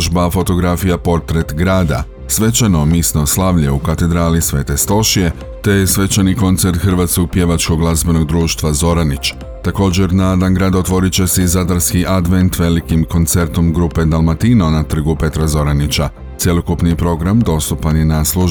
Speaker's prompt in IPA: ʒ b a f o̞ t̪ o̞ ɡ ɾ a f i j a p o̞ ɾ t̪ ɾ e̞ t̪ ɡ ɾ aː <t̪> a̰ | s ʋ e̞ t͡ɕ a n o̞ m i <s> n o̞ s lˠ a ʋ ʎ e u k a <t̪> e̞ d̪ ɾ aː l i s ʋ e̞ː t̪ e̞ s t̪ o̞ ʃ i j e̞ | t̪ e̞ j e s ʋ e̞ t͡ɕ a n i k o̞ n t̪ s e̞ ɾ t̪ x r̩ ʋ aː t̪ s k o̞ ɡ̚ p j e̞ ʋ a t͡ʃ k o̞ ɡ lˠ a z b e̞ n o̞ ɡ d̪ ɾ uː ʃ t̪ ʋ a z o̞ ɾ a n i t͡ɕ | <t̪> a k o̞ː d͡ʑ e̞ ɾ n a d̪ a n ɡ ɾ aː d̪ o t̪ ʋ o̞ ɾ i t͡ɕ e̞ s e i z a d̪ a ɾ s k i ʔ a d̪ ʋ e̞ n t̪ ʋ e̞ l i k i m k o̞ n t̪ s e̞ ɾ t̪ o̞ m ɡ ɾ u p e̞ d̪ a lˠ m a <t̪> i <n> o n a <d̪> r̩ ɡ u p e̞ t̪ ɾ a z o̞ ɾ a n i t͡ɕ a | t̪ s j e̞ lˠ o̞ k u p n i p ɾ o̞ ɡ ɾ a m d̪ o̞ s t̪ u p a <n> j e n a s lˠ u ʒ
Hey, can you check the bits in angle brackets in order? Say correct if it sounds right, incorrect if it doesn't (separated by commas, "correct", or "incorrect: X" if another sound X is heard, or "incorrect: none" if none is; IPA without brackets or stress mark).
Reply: incorrect: d̪, correct, correct, correct, correct, correct, incorrect: t̪, correct